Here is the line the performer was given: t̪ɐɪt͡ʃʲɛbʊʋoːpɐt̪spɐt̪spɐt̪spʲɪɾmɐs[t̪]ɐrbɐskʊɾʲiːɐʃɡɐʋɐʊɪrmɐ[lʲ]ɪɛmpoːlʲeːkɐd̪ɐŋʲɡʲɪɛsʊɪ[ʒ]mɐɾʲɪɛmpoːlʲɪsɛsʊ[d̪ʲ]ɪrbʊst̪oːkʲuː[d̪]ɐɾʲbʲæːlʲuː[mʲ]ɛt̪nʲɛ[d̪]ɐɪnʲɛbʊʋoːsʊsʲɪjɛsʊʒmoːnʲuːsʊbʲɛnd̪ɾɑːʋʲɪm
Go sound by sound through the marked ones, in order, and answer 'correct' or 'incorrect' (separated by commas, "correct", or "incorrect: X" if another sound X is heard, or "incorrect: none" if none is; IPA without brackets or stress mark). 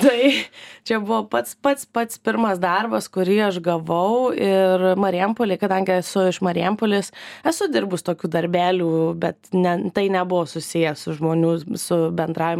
incorrect: d̪, incorrect: ɾʲ, incorrect: ʃ, correct, correct, incorrect: bʲ, incorrect: t̪